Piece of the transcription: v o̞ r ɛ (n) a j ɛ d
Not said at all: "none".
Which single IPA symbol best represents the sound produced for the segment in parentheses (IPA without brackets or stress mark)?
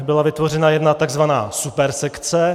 n